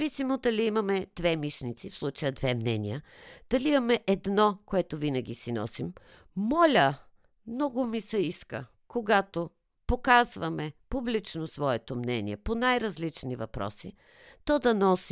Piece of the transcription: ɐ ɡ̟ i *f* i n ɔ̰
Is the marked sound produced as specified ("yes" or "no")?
no